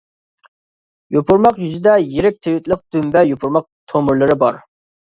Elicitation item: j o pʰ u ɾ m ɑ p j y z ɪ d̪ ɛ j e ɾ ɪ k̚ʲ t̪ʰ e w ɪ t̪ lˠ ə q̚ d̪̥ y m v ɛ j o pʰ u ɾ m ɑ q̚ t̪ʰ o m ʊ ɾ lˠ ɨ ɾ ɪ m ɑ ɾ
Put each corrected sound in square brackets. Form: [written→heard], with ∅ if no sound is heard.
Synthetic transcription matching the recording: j o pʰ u ɾ m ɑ [p→q] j y z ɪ d̪ ɛ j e ɾ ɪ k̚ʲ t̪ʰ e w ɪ t̪ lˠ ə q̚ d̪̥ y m v ɛ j o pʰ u ɾ m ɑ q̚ t̪ʰ o m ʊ ɾ lˠ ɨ ɾ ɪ [m→b] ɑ ɾ